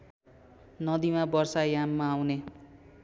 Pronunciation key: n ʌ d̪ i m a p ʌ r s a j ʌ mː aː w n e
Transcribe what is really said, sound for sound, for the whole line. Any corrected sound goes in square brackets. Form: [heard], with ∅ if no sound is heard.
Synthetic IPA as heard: n ʌ d̪ i m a [b] ʌ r s a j [a] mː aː w n e